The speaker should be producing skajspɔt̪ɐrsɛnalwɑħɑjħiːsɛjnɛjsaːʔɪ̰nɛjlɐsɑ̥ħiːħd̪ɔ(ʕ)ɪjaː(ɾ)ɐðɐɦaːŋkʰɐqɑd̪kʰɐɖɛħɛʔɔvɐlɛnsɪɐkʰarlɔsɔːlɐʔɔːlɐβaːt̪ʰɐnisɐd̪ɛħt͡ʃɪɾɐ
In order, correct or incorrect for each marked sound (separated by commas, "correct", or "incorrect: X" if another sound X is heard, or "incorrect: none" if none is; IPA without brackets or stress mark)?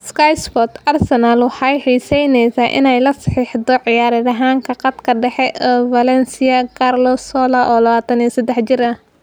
correct, correct